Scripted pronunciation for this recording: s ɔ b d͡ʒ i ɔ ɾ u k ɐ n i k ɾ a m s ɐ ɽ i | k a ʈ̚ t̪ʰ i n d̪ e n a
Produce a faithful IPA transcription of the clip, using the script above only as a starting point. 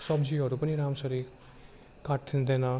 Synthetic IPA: s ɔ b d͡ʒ i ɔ ɾ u p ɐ n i ɾ a m s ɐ ɾ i | k a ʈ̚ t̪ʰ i n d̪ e n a